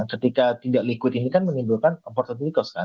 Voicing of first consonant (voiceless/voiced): voiceless